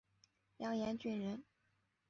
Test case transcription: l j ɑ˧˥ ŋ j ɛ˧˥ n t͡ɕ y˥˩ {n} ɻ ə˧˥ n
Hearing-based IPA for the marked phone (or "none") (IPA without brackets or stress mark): n